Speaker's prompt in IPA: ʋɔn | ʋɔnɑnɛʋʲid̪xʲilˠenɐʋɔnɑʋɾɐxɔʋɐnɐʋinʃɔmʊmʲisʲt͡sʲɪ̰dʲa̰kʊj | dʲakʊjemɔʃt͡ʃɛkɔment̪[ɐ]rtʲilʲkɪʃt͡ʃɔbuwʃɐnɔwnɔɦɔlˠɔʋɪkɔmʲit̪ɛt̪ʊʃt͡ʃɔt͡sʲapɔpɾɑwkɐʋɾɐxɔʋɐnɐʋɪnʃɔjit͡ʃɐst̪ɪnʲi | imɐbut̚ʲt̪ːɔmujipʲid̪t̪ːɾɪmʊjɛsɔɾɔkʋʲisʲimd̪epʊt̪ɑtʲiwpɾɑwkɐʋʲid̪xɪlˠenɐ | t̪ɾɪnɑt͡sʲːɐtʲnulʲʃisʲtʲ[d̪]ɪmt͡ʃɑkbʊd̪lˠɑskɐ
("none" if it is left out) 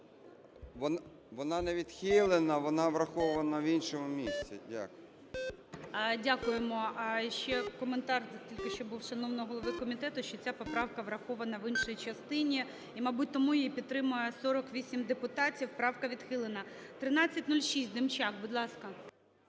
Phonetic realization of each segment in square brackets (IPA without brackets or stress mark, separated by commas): ɑ, d̪